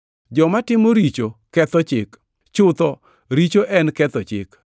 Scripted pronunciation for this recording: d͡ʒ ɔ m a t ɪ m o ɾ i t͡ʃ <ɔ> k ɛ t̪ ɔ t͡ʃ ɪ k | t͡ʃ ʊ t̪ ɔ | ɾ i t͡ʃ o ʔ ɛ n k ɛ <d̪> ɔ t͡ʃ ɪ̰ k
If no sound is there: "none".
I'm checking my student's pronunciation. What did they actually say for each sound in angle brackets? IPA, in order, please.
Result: o, t̪

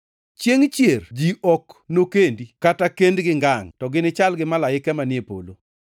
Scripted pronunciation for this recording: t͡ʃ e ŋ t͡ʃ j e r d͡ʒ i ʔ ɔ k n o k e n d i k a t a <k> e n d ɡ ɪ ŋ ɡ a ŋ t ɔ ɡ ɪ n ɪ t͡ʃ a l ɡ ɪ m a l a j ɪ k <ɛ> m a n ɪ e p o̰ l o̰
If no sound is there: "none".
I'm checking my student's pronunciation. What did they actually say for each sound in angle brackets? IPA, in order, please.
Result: k, ɛ

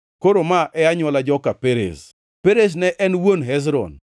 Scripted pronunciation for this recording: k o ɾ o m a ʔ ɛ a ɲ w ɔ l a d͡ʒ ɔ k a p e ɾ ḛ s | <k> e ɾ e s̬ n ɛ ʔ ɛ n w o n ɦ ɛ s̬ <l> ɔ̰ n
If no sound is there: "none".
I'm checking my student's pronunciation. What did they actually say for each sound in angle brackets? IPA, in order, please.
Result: p, ɾ

